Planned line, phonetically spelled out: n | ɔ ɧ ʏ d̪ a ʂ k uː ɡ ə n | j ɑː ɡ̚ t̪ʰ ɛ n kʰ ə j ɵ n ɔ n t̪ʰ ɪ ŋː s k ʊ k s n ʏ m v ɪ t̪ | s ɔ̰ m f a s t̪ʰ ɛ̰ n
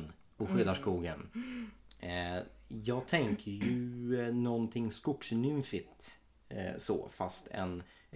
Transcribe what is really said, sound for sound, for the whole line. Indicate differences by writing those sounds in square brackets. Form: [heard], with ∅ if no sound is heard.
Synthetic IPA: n | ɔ ɧ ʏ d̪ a ʂ k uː ɡ ə n | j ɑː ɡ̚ t̪ʰ ɛ [ŋ] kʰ ə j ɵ n ɔ n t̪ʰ ɪ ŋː s k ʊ k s n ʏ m [f] ɪ t̪ | s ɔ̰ [∅] f a s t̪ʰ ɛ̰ n